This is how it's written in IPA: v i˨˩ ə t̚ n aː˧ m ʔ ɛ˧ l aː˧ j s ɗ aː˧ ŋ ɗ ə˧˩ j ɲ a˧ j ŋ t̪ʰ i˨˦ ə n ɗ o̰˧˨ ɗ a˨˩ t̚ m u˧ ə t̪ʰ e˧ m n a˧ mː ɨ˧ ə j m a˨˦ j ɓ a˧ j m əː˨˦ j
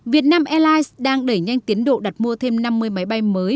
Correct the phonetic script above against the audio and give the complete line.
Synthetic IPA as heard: v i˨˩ ə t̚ n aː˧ m ʔ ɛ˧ l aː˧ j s ɗ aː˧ ŋ ɗ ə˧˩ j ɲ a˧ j ŋ t̪ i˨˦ ə n ɗ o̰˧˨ ɗ a˨˩ t̚ m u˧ ə t̪ʰ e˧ m n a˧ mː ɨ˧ ə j m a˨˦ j ɓ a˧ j m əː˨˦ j